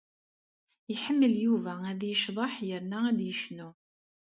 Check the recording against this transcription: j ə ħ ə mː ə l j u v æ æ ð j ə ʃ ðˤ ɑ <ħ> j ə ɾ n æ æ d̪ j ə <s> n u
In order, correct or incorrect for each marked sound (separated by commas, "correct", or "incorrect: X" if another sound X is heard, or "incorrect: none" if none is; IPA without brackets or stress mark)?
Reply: correct, incorrect: ʃ